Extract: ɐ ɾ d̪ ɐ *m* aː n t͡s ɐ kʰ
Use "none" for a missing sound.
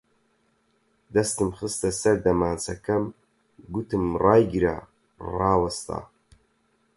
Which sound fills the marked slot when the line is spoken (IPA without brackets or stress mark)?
m